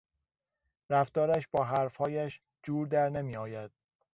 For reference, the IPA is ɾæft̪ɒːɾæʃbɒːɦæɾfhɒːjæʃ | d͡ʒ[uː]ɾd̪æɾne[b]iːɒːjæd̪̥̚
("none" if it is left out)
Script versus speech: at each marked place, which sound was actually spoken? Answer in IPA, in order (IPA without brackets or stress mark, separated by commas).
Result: uː, m